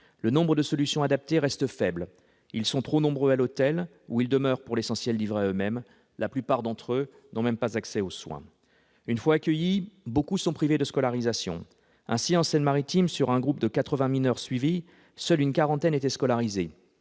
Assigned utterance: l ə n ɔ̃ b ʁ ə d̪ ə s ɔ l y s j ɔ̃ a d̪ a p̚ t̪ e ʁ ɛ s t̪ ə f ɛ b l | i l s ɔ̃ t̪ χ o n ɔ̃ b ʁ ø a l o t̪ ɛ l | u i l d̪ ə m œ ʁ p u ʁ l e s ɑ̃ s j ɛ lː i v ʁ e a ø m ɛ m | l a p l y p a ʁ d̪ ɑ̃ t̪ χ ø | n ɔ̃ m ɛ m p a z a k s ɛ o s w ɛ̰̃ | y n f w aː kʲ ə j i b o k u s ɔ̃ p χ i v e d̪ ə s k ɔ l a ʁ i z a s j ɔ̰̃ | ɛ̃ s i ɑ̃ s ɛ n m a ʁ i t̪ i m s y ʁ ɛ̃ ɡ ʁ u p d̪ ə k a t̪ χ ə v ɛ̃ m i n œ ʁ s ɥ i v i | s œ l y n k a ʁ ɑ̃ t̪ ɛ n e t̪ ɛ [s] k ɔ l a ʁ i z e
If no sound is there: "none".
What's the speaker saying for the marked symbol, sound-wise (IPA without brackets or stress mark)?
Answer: s